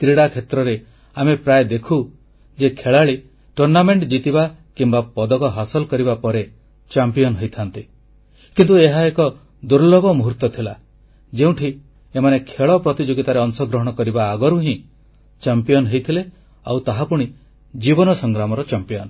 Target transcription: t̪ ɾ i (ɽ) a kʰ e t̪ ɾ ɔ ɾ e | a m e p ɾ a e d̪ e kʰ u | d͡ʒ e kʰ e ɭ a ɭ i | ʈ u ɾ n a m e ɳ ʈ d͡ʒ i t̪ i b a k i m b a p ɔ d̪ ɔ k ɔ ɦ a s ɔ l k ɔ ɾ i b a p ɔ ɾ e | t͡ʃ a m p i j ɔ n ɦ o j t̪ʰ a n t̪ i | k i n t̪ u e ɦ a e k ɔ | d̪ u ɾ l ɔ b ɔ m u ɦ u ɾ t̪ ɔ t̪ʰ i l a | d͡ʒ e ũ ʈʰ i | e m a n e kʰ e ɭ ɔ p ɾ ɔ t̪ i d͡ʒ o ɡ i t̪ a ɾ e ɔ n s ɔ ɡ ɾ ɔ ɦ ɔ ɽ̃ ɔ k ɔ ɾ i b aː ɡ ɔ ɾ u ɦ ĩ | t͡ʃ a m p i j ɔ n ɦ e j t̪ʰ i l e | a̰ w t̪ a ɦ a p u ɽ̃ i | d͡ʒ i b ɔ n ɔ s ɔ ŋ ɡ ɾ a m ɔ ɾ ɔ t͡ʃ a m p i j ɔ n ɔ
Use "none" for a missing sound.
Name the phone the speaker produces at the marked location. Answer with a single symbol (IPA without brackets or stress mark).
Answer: ɽ